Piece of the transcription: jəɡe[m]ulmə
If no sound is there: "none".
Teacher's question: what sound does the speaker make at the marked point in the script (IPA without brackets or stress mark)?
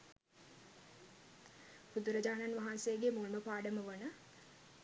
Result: m